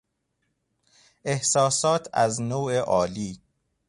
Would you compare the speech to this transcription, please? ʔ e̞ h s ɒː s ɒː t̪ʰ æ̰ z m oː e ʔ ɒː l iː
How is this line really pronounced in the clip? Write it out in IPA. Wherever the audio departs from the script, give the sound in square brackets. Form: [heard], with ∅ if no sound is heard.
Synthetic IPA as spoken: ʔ e̞ h s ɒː s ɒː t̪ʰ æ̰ z [n] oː e ʔ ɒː l iː